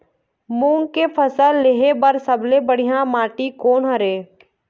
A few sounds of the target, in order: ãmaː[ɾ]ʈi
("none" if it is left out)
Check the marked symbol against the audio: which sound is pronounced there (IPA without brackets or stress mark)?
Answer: none